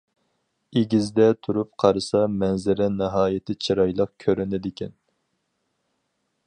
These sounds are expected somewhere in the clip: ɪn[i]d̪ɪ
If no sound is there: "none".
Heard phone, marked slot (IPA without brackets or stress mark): ɪ